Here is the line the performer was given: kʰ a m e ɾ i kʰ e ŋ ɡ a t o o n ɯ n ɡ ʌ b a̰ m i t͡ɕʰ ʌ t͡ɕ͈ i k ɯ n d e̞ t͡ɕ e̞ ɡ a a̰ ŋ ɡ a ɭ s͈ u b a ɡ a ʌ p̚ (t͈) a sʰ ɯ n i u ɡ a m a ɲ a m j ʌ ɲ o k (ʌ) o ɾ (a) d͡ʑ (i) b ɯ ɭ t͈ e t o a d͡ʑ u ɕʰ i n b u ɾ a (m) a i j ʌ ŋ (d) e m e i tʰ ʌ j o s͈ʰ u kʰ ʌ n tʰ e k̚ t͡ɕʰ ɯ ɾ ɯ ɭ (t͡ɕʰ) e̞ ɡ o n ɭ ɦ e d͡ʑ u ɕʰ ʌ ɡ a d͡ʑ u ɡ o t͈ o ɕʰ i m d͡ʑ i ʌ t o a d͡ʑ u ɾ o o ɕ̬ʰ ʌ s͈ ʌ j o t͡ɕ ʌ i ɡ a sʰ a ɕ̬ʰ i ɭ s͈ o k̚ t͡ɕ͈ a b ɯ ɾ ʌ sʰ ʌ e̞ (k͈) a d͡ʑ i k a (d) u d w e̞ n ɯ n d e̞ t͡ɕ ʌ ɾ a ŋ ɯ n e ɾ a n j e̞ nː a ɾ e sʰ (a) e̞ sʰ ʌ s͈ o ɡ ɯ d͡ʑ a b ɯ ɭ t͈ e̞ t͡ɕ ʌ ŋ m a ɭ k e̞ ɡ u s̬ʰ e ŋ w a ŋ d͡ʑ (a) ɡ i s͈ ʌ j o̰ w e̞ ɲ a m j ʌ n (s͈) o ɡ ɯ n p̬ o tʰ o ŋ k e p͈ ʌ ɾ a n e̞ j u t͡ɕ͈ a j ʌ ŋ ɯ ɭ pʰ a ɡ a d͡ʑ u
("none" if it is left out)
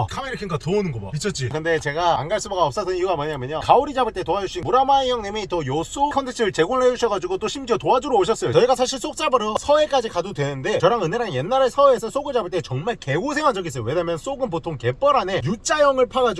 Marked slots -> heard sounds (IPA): s͈, a, i, a, m, n, t͡ɕ, k͈, d, ʌ, ʌ, s͈

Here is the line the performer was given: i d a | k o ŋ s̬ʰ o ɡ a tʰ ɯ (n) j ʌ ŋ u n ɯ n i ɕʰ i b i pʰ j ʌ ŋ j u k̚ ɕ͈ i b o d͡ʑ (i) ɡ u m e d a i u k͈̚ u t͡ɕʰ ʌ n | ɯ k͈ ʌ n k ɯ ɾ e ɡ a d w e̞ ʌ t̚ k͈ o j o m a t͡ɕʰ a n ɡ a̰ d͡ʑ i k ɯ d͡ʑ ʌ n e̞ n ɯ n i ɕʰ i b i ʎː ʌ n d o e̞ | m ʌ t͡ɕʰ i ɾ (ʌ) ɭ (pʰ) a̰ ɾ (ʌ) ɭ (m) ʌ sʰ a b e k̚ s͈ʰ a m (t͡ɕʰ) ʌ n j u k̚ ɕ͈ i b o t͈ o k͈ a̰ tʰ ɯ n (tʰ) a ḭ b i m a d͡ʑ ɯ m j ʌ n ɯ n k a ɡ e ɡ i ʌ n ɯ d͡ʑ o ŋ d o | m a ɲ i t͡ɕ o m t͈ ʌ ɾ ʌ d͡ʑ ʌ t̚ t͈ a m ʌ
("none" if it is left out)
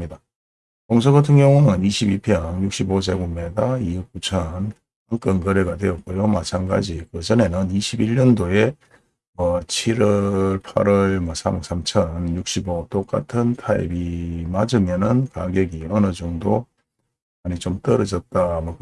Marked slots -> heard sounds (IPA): ŋ, e, ʌ, pʰ, ʌ, m, t͡ɕʰ, tʰ

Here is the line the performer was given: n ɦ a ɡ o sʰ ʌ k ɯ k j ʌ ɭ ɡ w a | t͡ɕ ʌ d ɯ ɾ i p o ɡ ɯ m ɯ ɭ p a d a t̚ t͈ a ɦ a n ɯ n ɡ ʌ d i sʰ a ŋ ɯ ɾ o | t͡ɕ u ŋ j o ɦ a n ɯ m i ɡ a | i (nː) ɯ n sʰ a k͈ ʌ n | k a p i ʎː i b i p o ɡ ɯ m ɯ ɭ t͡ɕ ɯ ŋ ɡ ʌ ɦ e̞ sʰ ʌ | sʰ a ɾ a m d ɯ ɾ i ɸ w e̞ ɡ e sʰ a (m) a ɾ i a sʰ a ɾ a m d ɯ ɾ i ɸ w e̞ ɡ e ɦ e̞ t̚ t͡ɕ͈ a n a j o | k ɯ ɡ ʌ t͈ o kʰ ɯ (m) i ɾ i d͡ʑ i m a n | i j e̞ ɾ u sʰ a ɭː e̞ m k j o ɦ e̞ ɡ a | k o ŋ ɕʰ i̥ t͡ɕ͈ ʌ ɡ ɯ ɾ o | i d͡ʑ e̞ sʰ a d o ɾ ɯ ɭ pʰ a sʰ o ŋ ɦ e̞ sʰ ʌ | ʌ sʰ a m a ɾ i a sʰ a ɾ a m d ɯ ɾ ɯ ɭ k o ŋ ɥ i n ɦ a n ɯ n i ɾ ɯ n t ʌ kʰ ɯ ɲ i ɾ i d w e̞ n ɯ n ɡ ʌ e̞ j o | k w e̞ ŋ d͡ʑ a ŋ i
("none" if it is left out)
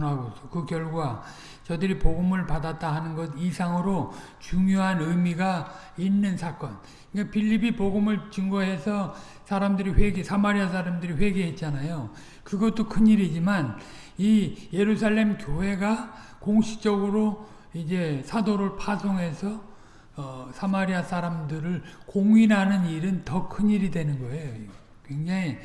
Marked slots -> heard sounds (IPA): nː, m, ɲ

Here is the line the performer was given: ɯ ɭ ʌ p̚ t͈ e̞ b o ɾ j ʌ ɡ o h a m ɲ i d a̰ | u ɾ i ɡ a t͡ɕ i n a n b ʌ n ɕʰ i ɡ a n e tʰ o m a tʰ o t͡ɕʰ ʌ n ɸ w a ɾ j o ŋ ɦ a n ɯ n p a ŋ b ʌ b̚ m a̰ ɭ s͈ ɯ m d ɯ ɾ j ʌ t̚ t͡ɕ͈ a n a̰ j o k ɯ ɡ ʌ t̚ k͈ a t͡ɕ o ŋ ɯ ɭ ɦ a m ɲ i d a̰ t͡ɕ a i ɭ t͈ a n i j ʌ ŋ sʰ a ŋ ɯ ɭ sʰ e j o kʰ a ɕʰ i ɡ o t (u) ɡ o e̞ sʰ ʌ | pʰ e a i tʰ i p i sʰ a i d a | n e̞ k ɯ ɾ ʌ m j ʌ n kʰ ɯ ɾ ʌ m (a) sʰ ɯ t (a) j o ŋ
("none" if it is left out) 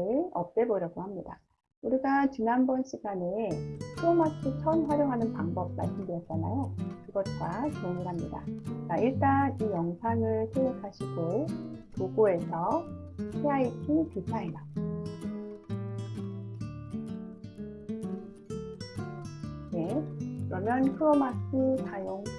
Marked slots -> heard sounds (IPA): o, a, a

